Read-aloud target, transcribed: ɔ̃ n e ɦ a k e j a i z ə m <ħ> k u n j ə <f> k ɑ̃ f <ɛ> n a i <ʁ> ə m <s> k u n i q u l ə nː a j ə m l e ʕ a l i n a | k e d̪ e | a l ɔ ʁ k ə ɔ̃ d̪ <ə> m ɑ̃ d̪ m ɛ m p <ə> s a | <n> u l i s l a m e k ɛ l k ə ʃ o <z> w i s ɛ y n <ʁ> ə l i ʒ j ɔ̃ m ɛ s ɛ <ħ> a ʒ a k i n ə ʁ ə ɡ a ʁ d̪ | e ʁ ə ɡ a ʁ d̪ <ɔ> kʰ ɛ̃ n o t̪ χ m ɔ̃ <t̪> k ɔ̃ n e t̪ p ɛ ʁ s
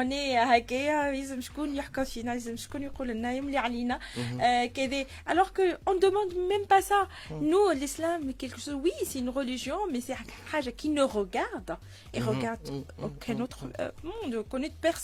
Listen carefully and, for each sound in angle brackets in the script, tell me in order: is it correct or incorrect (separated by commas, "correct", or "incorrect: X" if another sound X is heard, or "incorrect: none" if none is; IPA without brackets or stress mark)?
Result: incorrect: ʃ, incorrect: ħ, incorrect: i, incorrect: z, incorrect: ʃ, correct, incorrect: a, correct, correct, correct, correct, incorrect: o, incorrect: d̪